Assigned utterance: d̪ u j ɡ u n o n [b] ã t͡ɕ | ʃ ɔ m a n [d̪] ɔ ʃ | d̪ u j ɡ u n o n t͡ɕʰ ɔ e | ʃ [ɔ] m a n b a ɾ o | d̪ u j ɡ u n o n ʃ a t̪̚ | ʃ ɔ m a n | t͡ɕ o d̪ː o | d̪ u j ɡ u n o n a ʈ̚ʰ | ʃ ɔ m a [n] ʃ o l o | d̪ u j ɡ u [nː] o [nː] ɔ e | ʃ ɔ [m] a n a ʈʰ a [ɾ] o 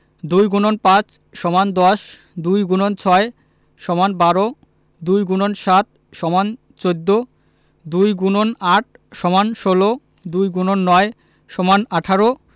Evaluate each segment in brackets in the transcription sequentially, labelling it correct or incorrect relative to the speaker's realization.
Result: incorrect: p, correct, correct, correct, incorrect: n, correct, correct, correct

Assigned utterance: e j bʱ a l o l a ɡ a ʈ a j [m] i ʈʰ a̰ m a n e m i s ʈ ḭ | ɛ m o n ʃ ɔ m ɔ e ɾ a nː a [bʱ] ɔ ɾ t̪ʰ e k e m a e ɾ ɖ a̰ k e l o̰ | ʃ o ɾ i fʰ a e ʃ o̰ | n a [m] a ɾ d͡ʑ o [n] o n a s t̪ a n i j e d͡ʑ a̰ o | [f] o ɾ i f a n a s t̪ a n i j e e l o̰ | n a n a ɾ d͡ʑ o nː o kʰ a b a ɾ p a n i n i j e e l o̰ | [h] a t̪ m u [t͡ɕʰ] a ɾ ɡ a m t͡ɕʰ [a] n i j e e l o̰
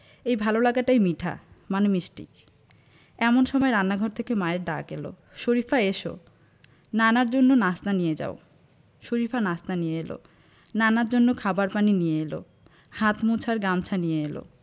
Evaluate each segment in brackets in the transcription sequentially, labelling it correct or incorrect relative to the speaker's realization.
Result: correct, incorrect: ɡʱ, incorrect: n, incorrect: nː, incorrect: ʃ, correct, correct, correct

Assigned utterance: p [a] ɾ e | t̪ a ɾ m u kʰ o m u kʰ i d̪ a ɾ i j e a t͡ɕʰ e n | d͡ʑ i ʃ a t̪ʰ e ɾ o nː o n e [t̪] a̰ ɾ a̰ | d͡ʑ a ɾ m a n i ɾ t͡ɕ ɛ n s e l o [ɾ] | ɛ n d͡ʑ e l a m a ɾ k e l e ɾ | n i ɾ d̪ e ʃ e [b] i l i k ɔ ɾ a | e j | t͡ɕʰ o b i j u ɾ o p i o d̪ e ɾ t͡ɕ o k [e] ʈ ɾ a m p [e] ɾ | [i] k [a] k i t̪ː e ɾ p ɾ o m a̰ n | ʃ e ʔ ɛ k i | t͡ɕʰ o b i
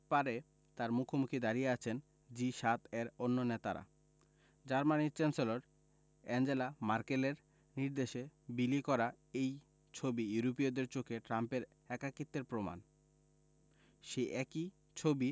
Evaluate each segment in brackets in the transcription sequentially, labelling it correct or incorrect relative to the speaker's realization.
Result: correct, correct, correct, correct, correct, correct, incorrect: ɛ, correct

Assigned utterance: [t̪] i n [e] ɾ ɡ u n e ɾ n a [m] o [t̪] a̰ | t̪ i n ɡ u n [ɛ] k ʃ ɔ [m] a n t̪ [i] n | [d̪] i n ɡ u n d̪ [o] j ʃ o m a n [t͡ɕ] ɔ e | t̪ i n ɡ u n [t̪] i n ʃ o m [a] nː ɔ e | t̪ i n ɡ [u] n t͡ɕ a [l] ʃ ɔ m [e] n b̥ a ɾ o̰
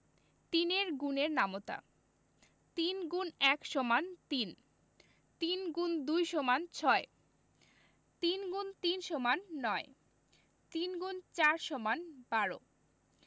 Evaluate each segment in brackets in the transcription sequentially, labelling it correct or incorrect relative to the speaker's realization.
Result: correct, correct, correct, correct, correct, correct, correct, incorrect: t̪, incorrect: u, incorrect: t͡ɕʰ, correct, correct, correct, incorrect: ɾ, incorrect: a

